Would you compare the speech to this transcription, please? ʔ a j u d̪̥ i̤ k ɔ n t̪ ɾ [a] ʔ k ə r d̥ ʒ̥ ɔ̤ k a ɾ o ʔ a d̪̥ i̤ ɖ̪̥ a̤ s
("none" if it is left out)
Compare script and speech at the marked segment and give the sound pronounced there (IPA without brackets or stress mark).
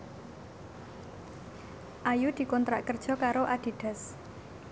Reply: a